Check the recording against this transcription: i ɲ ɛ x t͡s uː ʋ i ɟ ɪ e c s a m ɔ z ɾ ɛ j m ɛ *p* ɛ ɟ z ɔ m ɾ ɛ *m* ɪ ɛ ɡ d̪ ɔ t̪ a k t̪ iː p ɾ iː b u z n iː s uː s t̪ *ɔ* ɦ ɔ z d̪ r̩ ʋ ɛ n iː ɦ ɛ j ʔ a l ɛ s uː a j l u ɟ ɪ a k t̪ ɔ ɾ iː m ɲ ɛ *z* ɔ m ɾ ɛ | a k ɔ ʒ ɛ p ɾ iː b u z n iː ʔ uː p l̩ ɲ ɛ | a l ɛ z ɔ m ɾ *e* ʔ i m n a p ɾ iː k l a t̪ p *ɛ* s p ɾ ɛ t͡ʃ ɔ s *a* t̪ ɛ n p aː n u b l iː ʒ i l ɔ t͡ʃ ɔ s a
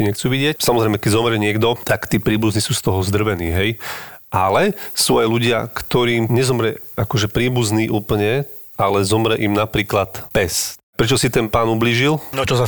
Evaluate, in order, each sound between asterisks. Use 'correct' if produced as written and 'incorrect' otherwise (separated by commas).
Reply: incorrect, incorrect, correct, correct, incorrect, correct, incorrect